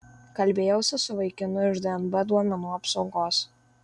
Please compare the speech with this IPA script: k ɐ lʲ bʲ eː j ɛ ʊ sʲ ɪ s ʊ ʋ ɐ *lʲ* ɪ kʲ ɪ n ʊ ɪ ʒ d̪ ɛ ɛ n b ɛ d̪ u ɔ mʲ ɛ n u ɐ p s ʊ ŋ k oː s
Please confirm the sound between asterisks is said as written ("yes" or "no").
no